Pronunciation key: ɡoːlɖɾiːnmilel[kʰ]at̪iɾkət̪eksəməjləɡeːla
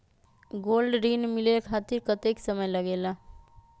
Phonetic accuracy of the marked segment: correct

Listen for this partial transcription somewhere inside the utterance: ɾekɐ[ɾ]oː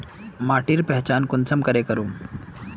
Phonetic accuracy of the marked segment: correct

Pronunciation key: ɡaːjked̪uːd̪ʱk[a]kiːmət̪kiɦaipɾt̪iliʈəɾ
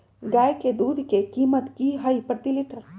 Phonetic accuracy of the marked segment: incorrect: e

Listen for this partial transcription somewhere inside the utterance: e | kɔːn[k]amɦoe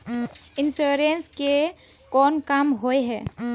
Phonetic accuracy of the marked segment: correct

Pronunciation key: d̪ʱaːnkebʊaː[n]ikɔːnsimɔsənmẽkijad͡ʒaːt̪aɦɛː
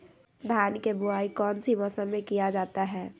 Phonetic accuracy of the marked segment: incorrect: none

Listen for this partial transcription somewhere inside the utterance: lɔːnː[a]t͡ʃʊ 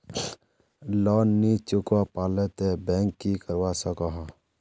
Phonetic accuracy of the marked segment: incorrect: i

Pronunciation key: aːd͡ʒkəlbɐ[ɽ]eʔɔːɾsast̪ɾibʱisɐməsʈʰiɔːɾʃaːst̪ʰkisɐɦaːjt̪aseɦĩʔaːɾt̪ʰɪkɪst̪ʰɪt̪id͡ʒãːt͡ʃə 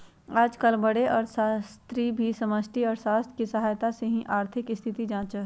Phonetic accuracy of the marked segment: correct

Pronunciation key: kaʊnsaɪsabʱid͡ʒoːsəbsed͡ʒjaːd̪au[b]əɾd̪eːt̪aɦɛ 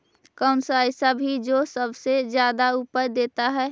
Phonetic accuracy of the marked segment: incorrect: p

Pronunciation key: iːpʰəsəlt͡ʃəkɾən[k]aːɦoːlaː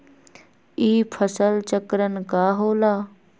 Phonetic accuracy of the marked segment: correct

